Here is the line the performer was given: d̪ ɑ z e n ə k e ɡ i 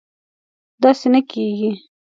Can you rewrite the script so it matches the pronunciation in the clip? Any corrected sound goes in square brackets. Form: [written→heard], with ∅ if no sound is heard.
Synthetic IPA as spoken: d̪ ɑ [z→s] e n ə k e ɡ i

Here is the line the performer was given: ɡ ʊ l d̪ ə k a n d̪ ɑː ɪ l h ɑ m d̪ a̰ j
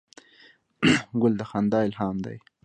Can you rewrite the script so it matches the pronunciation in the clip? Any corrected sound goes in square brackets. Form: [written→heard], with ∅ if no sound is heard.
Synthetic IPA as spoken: ɡ ʊ l d̪ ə [k→x] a n d̪ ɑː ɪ l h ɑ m d̪ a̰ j

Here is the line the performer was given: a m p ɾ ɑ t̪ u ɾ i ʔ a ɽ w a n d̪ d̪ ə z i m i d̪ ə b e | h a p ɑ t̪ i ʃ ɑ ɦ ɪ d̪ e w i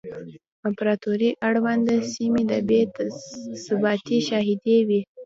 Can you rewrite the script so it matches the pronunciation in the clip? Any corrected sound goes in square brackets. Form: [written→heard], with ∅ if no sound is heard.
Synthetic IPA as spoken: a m p ɾ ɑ t̪ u ɾ i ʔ a ɽ w a n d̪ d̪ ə [z→s] i m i d̪ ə b e | [h→s] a [p→b] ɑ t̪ i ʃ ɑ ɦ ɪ d̪ e w i

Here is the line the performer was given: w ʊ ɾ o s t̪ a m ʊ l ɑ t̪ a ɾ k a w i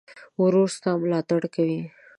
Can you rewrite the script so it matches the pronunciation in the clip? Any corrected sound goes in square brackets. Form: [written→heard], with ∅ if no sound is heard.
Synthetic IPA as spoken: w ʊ ɾ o s t̪ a m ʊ l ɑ t̪ a [ɾ→ɽ] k a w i

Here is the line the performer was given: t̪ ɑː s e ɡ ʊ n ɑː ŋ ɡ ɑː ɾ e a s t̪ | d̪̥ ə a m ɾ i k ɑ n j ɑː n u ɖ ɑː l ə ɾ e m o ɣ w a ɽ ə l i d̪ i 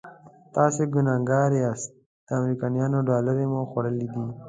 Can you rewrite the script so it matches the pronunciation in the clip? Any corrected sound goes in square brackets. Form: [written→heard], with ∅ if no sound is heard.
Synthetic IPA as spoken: t̪ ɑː s e ɡ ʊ n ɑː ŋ ɡ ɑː ɾ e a s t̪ | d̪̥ ə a m ɾ i k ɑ n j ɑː n [u→o] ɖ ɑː l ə ɾ e m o [ɣ→x] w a ɽ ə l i d̪ i

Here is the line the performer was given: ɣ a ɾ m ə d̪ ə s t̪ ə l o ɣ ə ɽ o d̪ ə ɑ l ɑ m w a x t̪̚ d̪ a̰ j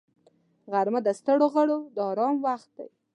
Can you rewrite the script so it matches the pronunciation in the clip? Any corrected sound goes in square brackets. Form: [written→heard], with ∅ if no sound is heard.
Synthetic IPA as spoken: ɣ a ɾ m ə d̪ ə s t̪ ə [l→ɽ] o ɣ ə ɽ o d̪ ə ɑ [l→ɾ] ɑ m w a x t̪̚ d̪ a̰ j

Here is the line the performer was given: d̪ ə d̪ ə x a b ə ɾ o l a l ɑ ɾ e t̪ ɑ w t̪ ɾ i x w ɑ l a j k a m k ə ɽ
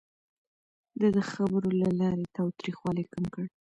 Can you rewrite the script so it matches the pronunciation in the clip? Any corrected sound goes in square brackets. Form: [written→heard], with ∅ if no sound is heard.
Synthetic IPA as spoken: d̪ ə d̪ ə x a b ə ɾ o l a l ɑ ɾ e t̪ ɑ w t̪ ɾ i x w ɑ l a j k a m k ə ɽ

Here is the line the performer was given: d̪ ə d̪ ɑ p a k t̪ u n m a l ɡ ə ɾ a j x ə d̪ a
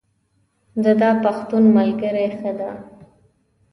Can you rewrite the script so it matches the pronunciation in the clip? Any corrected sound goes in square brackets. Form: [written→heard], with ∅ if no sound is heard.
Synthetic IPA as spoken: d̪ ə d̪ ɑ p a [k→x] t̪ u n m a l ɡ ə ɾ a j x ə d̪ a

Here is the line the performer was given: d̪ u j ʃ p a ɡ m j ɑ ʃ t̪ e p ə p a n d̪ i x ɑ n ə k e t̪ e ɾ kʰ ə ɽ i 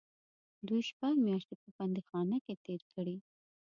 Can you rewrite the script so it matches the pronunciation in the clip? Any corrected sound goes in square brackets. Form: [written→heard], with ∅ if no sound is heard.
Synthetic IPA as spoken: d̪ u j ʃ p a ɡ m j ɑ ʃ t̪ e p ə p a n d̪ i x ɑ n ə k e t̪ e ɾ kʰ ə ɽ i

